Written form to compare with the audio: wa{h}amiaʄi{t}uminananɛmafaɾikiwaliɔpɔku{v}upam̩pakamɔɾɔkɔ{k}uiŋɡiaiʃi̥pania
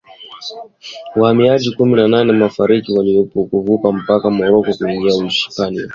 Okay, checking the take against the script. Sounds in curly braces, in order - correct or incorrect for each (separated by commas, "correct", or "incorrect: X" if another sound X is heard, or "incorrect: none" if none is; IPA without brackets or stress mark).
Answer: correct, incorrect: k, correct, correct